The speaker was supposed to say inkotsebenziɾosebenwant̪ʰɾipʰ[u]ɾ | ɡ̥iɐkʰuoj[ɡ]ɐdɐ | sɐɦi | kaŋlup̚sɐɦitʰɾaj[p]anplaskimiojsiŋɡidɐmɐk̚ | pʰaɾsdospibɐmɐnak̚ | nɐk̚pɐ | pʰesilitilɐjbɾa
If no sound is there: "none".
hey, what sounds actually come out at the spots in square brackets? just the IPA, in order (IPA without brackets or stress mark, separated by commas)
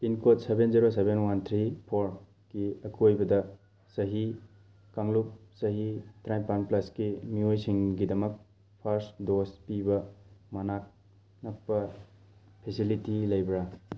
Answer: o, b, p